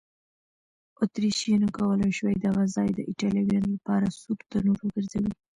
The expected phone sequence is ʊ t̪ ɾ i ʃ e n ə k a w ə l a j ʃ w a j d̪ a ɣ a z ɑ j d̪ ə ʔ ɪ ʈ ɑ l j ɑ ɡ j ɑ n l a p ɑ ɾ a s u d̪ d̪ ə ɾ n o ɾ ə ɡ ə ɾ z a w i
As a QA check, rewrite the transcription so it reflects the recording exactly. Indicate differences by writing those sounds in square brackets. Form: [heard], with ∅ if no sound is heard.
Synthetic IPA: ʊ t̪ ɾ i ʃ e n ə k a w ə l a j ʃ w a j d̪ a ɣ a z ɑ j d̪ ə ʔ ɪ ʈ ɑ l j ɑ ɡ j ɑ n l a p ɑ ɾ a s u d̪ [t̪] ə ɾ n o ɾ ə ɡ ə ɾ z a w i